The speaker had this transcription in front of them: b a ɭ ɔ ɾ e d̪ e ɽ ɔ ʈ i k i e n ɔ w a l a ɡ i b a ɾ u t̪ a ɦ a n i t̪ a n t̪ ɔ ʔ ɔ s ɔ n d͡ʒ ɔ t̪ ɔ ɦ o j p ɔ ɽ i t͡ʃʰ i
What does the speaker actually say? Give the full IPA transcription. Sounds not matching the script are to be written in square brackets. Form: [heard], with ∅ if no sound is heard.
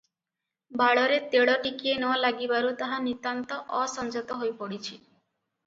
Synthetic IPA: b a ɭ ɔ ɾ e [t̪] e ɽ ɔ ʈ i k i e n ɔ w a l a ɡ i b a ɾ u t̪ a ɦ a n i t̪ a n t̪ ɔ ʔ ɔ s ɔ n d͡ʒ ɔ t̪ ɔ ɦ o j p ɔ ɽ i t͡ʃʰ i